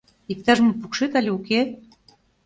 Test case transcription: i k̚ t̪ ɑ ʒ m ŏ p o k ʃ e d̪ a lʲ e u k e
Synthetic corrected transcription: i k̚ t̪ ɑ ʒ m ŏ p u k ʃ e t̪ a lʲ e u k e